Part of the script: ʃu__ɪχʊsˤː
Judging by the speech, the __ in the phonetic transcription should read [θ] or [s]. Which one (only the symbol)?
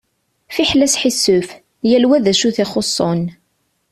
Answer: θ